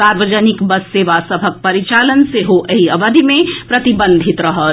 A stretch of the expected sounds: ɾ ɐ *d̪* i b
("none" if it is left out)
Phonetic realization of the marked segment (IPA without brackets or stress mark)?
t̪